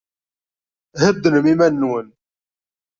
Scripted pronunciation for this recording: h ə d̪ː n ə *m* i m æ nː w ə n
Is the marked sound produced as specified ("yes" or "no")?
yes